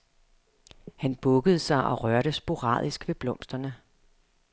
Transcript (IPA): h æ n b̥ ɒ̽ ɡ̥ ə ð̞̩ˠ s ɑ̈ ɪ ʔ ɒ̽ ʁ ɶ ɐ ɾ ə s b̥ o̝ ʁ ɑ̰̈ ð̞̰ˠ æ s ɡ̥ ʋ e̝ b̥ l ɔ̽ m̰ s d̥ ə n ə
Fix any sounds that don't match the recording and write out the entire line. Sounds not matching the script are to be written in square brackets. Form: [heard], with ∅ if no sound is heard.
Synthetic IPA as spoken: h æ n b̥ [ɔ̽] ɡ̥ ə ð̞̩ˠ s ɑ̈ ɪ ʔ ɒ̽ ʁ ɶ ɐ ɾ ə s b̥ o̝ ʁ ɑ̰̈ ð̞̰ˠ [i] s ɡ̥ ʋ e̝ b̥ l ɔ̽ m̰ s d̥ [ɐ] n ə